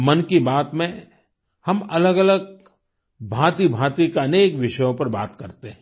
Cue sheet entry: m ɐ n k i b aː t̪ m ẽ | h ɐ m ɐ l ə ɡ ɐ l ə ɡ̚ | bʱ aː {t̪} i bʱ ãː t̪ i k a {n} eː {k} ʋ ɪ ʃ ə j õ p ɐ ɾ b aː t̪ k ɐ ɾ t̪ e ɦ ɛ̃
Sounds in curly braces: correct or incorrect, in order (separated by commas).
correct, correct, correct